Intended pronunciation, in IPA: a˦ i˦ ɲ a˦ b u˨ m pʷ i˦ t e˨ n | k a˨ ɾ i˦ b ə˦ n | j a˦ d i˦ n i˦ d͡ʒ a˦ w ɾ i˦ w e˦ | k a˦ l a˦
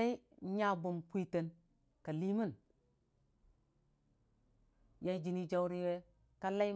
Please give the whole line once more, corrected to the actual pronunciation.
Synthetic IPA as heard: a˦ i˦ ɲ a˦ b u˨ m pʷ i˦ t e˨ n | k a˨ l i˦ m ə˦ n | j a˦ d͡ʒ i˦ n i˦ d͡ʒ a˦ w ɾ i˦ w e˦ | k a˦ l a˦